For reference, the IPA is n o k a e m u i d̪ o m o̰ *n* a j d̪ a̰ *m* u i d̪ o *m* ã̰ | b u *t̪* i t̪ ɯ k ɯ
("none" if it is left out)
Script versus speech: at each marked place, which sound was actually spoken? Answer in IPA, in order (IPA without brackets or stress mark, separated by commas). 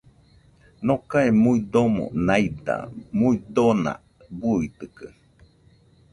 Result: n, m, n, none